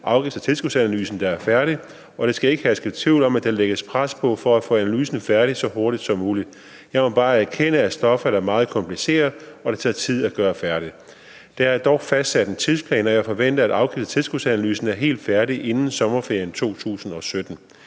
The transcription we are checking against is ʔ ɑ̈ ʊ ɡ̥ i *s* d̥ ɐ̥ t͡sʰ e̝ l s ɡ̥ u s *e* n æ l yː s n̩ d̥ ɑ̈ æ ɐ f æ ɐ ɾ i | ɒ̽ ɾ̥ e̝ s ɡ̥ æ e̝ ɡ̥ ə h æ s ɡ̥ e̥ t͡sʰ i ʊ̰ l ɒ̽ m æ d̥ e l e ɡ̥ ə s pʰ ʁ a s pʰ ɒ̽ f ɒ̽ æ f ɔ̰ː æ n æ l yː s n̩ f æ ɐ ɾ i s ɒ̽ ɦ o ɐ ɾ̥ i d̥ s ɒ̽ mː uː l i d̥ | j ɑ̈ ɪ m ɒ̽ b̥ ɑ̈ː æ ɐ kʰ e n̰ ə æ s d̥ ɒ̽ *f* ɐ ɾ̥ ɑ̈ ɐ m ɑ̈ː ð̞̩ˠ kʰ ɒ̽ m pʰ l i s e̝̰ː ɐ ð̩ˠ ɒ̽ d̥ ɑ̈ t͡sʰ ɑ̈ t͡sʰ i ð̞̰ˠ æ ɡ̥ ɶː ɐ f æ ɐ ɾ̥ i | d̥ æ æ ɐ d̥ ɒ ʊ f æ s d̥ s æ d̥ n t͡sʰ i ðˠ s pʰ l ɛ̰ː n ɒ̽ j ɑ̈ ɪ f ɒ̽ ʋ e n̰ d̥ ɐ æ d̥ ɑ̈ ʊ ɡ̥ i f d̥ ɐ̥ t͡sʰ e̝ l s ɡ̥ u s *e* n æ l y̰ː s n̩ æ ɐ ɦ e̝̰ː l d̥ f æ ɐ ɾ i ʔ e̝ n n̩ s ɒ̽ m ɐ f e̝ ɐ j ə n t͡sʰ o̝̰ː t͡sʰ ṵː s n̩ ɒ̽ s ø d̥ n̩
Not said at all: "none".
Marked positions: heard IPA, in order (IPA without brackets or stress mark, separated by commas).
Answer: f, æ, f, æ